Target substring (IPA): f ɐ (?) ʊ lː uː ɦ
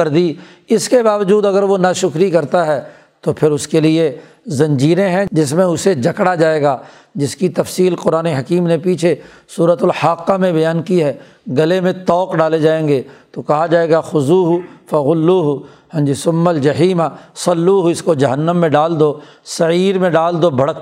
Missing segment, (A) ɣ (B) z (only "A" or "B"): A